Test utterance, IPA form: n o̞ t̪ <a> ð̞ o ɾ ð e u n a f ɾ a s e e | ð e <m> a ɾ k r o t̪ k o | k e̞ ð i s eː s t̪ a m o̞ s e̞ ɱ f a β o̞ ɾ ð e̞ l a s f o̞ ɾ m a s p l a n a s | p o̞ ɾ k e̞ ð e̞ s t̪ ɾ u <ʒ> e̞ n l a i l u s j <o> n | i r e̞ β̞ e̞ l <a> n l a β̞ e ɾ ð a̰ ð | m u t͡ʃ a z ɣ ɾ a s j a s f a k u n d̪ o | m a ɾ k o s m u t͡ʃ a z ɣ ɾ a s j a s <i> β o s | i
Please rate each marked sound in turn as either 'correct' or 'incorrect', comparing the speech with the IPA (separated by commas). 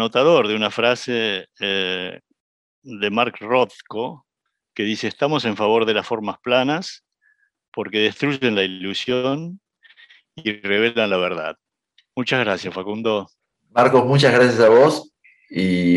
correct, correct, correct, correct, correct, incorrect